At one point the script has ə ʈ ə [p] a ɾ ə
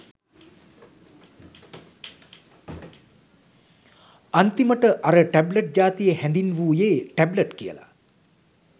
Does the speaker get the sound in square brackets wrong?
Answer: yes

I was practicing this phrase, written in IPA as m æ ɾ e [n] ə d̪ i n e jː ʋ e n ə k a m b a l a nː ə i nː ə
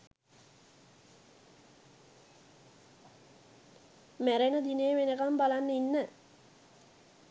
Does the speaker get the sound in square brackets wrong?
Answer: no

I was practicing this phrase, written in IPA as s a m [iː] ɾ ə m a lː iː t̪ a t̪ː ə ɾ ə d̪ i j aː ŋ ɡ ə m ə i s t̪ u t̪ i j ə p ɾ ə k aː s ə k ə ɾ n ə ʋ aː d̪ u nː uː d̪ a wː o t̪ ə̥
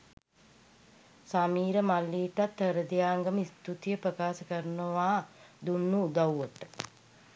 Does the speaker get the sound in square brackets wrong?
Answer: no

